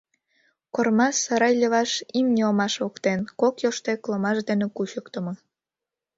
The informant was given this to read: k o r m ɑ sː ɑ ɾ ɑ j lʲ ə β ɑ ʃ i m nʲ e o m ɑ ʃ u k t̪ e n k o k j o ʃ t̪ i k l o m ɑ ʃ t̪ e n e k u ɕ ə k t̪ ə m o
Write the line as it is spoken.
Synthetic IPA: k o r m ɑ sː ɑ ɾ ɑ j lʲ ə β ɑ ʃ i m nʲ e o m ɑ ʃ o k t̪ e n k o k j o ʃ t̪ e k l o m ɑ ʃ d̪ e n e k u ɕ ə k t̪ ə m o